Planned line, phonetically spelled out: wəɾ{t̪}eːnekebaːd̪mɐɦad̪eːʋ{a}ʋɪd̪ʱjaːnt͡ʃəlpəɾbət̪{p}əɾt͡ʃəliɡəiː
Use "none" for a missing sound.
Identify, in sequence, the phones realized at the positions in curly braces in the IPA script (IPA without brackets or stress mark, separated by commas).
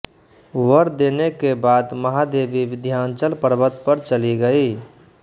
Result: d̪, i, p